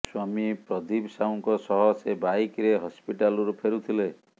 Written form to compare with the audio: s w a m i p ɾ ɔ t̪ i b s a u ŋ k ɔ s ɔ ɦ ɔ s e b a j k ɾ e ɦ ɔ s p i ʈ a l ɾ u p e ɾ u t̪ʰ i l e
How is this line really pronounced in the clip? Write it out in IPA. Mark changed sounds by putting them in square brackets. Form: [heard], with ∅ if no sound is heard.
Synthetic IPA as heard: s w a m i p ɾ ɔ [d̪] i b s a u ŋ k ɔ s ɔ ɦ ɔ s e b a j k ɾ e ɦ ɔ s p i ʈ a l ɾ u [pʰ] e ɾ u t̪ʰ i l e